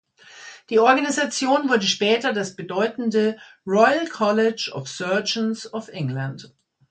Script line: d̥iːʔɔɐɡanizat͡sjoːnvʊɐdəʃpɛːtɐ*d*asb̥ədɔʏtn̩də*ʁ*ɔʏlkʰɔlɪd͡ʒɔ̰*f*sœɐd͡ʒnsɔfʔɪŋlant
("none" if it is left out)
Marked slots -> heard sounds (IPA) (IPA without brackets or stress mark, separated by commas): d, ʁ, f